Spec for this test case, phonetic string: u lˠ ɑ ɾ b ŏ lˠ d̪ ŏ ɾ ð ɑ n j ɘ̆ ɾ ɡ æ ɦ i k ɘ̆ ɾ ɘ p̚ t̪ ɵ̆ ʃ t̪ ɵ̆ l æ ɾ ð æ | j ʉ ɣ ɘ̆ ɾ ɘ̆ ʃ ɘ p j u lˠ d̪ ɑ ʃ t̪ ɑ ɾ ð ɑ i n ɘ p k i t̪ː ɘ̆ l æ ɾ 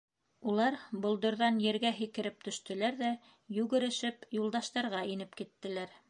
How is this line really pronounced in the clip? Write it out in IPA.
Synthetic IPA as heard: u lˠ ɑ ɾ b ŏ lˠ d̪ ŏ ɾ ð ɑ n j ɘ̆ ɾ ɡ æ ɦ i k ɘ̆ ɾ ɘ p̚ t̪ ɵ̆ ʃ t̪ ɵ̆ l æ ɾ ð æ | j ʉ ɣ ɘ̆ ɾ ɘ̆ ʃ ɘ p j u lˠ d̪ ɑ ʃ t̪ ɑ ɾ ʁ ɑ i n ɘ p k i t̪ː ɘ̆ l æ ɾ